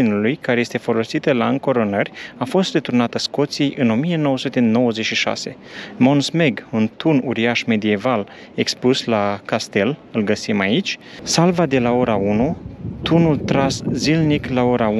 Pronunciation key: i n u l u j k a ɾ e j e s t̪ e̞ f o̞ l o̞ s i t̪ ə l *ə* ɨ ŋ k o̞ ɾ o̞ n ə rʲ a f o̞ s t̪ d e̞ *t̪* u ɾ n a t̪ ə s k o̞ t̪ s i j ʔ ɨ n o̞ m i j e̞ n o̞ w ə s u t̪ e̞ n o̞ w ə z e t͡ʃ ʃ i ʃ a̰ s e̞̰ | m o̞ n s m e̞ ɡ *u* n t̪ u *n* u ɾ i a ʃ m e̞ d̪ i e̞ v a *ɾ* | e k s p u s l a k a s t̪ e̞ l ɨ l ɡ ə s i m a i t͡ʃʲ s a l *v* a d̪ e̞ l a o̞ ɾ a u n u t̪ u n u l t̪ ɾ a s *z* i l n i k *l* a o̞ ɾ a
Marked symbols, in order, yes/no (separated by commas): no, yes, yes, yes, no, yes, yes, yes